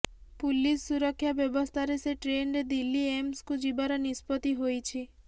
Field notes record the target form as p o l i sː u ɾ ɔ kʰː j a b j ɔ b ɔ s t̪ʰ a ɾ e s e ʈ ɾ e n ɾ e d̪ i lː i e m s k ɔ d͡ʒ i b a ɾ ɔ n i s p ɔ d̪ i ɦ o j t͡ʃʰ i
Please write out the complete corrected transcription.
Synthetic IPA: p u l i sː u ɾ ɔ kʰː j a b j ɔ b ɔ s t̪ʰ a ɾ e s e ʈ ɾ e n ɾ e d̪ i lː i e m s k u d͡ʒ i b a ɾ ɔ n i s p ɔ t̪ i ɦ o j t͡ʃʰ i